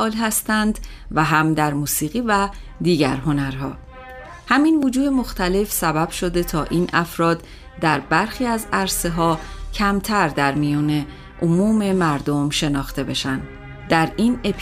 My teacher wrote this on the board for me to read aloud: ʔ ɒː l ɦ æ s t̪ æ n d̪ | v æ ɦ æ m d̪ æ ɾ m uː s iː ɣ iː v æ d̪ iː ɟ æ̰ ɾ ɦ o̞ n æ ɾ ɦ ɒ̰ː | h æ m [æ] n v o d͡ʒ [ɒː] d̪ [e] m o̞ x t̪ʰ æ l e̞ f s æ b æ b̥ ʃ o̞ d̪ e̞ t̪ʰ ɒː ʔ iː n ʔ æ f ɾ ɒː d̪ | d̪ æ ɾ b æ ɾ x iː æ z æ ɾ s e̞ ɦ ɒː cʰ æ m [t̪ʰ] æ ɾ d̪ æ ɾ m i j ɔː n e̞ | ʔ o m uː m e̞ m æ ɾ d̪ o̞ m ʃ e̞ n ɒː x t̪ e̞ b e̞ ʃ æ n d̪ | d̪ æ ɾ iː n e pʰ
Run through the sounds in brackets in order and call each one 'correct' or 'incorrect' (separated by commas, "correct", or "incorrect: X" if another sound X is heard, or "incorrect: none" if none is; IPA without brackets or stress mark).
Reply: incorrect: i, incorrect: uː, correct, correct